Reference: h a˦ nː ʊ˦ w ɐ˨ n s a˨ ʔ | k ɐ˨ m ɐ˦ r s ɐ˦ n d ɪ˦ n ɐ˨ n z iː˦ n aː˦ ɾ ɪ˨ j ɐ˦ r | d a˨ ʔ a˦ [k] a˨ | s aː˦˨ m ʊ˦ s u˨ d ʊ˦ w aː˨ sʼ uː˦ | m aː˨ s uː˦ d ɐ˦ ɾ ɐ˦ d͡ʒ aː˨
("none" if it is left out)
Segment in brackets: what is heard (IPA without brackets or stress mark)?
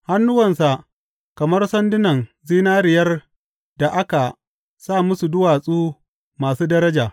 k